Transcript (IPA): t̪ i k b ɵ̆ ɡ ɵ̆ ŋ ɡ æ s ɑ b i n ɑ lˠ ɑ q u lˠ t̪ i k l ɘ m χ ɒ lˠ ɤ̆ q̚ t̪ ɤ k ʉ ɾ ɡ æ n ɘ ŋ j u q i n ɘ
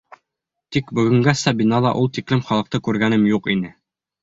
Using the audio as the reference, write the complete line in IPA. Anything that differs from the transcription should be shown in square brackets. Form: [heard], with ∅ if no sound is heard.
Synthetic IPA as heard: t̪ i k b ɵ̆ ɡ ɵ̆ ŋ ɡ æ s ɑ b i n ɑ lˠ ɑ [ʔ] u lˠ t̪ i k l ɘ m χ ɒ lˠ ɤ̆ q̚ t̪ ɤ k ʉ ɾ ɡ æ n ɘ [m] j u q i n ɘ